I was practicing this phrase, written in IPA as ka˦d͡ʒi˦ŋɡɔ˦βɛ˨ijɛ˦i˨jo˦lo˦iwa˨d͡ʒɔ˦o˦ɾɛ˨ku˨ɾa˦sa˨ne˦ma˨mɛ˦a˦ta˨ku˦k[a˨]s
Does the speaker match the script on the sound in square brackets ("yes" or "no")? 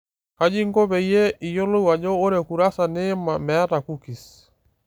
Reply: no